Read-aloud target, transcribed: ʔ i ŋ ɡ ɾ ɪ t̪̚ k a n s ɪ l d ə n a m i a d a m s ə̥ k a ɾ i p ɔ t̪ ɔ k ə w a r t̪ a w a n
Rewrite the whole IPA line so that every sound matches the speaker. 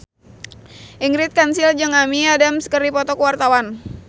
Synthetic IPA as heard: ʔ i ŋ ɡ ɾ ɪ t̪̚ k a n s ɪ l d͡ʒ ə ŋ a m i a d a m s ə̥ k ə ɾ i p ɔ t̪ ɔ k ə w a r t̪ a w a n